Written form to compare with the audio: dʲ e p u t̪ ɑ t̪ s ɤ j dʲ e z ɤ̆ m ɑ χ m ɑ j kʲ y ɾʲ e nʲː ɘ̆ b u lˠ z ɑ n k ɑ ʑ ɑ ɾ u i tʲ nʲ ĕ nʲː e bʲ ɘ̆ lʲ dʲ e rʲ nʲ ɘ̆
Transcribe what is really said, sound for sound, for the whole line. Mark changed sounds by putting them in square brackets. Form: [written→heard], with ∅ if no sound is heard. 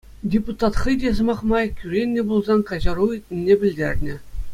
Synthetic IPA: dʲ e p u t̪ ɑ t̪ [s→χ] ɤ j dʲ e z ɤ̆ m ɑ χ m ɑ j kʲ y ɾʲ e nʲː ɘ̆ b u lˠ z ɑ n k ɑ ʑ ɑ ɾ u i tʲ nʲ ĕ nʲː e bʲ ɘ̆ lʲ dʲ e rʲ nʲ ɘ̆